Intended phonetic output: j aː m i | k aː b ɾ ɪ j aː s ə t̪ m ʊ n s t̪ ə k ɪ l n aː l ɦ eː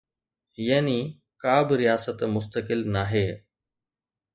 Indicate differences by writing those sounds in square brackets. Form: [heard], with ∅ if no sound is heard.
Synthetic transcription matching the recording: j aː [n] i | k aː b ɾ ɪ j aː s ə t̪ m ʊ [∅] s t̪ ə k ɪ l n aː [∅] ɦ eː